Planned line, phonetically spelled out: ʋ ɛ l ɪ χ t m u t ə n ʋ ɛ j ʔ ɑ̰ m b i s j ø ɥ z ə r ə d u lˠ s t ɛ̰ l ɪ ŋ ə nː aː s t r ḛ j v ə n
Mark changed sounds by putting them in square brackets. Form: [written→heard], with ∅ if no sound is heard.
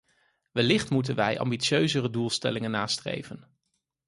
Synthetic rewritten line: ʋ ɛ l ɪ χ t m u t ə n ʋ ɛ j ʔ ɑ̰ m b i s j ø ɥ z ə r ə d u lˠ s t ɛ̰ l ɪ ŋ ə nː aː s t r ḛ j v ə n